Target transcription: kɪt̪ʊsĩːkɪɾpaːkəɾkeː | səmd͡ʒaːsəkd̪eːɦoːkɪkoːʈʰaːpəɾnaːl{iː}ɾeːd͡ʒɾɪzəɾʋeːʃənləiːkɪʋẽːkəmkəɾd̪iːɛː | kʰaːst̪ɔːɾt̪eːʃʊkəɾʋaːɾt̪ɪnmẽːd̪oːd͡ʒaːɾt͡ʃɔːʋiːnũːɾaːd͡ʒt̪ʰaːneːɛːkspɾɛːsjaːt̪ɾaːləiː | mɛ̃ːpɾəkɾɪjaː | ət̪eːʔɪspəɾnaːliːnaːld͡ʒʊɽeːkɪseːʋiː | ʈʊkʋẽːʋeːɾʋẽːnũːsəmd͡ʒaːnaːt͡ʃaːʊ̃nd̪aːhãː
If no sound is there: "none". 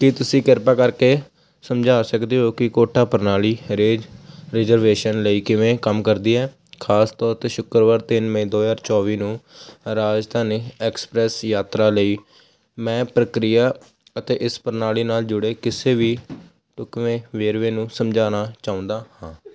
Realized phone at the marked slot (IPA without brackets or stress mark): iː